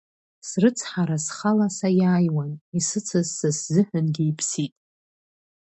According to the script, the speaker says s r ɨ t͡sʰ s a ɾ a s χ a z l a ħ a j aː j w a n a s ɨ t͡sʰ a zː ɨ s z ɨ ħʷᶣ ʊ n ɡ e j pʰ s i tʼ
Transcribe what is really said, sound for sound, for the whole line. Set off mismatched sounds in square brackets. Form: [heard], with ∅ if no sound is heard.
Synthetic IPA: s r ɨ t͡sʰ [ħ] a ɾ a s χ a [∅] l a [s] a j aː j w a n [i] s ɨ t͡sʰ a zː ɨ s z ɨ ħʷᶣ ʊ n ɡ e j pʰ s i tʼ